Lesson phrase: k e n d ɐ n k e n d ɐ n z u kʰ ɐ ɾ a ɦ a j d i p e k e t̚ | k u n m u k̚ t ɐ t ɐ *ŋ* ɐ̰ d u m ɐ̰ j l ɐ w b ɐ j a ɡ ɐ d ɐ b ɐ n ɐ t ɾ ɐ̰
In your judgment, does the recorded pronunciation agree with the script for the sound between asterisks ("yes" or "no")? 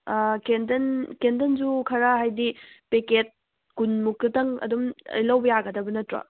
yes